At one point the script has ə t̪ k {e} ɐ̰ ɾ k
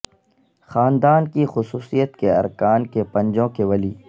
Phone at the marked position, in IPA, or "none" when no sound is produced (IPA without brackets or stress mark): e